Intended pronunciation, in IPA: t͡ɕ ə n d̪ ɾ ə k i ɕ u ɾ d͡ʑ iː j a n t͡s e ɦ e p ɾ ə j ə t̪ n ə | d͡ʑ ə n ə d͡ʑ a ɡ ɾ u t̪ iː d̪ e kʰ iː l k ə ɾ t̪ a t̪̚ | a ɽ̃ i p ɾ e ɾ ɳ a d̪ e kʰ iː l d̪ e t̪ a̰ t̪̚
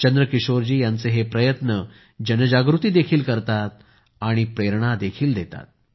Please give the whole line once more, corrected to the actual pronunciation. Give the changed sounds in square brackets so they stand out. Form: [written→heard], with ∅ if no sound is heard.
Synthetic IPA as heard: t͡ɕ ə n d̪ ɾ ə k i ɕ [u→o] ɾ d͡ʑ iː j a n t͡s e ɦ e p ɾ ə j ə t̪ n ə | d͡ʑ ə n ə d͡ʑ a ɡ ɾ u t̪ iː d̪ e kʰ iː l k ə ɾ t̪ a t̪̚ | a ɽ̃ i p ɾ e ɾ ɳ a d̪ e kʰ iː l d̪ e t̪ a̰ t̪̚